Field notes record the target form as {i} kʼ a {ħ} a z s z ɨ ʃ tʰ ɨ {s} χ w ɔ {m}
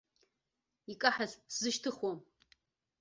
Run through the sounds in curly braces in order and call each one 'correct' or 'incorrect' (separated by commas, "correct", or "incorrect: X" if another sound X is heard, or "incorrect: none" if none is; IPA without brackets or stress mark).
correct, correct, incorrect: none, correct